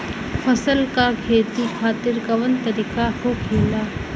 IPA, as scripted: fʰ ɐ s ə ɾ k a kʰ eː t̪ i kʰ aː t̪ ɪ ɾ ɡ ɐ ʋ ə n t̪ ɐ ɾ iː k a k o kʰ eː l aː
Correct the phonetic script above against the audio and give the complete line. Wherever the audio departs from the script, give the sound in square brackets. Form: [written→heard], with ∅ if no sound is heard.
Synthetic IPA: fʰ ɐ s ə [ɾ→l] k a kʰ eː t̪ i kʰ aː t̪ ɪ ɾ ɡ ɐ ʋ ə n t̪ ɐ ɾ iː k a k o kʰ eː l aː